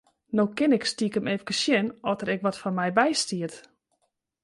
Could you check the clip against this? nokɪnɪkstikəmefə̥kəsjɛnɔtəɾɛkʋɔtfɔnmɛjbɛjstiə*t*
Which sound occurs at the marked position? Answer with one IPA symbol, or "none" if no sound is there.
t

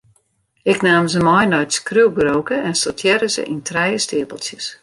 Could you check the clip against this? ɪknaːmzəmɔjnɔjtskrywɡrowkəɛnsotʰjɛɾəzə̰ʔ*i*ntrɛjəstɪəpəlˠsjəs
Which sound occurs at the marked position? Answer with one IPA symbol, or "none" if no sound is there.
i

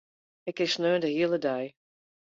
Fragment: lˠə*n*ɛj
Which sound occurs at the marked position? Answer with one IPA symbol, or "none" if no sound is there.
d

